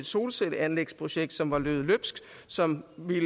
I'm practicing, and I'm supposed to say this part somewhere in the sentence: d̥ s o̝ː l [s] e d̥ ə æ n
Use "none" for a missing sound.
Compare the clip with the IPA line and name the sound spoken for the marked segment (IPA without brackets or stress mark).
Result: s